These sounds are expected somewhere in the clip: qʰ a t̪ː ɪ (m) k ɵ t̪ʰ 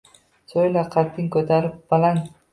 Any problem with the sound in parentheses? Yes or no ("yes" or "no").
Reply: yes